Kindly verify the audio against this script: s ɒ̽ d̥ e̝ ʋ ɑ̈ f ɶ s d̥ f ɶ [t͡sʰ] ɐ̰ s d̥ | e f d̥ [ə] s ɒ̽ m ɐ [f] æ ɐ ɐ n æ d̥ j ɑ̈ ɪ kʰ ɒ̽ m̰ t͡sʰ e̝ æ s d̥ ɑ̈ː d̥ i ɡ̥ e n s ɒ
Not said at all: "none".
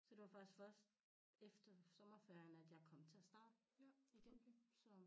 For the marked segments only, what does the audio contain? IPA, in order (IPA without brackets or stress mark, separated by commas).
none, ɐ, f